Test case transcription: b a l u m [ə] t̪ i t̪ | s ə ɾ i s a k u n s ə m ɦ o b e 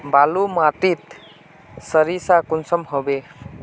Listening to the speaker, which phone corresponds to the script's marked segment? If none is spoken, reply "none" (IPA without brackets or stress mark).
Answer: a